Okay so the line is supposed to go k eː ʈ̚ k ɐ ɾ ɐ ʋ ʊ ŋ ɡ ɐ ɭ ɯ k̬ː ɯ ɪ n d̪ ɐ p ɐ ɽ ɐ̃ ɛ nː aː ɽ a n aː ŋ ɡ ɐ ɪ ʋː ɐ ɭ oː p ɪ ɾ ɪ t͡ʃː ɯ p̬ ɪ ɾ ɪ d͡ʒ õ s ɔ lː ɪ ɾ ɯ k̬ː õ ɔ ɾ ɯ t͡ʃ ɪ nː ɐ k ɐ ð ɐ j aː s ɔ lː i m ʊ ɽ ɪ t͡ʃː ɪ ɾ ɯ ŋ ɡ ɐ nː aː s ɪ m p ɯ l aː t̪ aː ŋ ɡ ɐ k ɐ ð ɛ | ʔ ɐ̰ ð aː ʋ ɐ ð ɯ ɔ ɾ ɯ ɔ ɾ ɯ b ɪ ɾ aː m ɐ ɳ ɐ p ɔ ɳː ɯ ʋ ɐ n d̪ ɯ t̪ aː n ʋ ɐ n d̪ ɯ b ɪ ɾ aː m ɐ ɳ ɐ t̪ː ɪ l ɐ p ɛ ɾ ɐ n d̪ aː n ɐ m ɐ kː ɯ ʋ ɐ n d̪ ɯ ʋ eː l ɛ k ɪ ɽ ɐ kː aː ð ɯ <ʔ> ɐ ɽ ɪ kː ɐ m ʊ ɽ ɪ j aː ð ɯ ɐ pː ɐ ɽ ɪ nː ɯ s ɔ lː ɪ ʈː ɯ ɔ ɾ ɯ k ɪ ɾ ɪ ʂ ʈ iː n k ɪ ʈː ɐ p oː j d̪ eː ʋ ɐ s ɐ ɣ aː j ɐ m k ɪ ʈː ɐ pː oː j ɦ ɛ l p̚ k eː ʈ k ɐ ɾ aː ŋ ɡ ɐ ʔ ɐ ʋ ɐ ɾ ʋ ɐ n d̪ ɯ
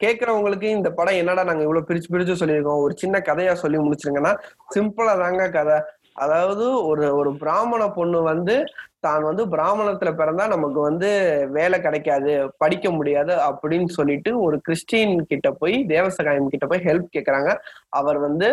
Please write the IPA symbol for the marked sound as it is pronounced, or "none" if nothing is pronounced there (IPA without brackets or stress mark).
p